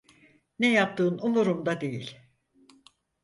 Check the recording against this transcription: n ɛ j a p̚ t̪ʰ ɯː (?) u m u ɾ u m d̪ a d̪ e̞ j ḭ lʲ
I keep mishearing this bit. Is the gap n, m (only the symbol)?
n